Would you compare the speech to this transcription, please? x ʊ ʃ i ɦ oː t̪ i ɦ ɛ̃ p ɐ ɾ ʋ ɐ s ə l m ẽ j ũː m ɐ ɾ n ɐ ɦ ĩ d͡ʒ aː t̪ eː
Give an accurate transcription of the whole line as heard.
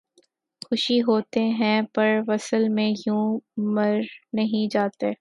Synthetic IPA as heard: x ʊ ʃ i ɦ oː t̪ e ɦ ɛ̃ p ɐ ɾ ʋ ɐ s ə l m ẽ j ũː m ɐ ɾ n ɐ ɦ ĩ d͡ʒ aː t̪ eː